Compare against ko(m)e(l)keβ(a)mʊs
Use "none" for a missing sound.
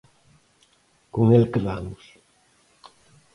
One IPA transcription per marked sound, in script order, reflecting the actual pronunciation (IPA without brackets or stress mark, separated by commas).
ŋ, l, a